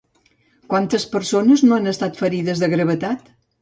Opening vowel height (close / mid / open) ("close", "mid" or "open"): open